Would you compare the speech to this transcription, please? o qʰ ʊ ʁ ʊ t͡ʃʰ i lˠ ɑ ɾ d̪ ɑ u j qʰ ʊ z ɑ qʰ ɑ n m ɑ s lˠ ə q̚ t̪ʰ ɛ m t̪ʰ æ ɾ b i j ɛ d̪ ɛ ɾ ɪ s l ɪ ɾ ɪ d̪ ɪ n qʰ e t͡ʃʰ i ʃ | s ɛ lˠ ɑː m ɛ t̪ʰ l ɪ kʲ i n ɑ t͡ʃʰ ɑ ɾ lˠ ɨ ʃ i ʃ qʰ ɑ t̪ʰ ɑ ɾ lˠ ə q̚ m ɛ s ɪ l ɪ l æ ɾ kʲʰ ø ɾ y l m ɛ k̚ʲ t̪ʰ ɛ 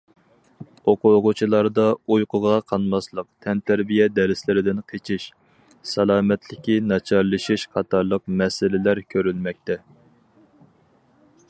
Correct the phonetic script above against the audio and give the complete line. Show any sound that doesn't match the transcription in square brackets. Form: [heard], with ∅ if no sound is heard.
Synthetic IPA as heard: o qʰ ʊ ʁ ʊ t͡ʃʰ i lˠ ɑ ɾ d̪ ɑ u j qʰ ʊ [ʁ] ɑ qʰ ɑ n m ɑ s lˠ ə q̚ t̪ʰ ɛ [n] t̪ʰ æ ɾ b i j ɛ d̪ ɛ ɾ ɪ s l ɪ ɾ ɪ d̪ ɪ n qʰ e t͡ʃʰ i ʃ | s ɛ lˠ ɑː m ɛ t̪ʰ l ɪ kʲ i n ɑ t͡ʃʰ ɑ ɾ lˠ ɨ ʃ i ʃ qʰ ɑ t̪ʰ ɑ ɾ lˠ ə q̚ m ɛ s ɪ l ɪ l æ ɾ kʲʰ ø ɾ y l m ɛ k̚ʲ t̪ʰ ɛ